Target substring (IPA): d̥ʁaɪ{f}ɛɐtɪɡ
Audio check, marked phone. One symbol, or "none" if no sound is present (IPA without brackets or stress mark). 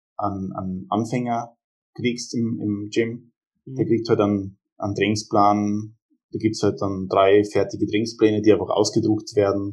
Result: f